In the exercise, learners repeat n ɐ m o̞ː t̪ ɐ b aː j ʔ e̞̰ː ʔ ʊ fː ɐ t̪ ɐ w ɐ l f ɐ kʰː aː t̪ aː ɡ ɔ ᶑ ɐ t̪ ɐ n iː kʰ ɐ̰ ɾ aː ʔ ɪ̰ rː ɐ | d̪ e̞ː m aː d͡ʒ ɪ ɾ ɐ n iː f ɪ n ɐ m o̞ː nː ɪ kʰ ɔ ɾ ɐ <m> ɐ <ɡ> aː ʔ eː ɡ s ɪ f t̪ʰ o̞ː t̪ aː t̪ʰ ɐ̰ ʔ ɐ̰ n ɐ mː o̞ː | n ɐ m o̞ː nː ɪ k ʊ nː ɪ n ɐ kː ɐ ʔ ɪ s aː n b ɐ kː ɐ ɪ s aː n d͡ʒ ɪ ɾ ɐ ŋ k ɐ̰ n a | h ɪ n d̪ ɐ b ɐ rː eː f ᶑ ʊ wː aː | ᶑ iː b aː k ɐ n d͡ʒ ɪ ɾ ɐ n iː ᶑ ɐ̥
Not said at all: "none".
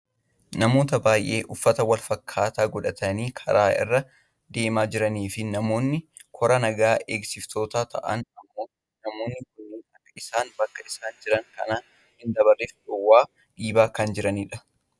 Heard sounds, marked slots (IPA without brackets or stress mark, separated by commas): n, ɡ